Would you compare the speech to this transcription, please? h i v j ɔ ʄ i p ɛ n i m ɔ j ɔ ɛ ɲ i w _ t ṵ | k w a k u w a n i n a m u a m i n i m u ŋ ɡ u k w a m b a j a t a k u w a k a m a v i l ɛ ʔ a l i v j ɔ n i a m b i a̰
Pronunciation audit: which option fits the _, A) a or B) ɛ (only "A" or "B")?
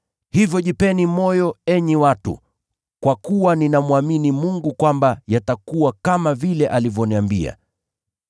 A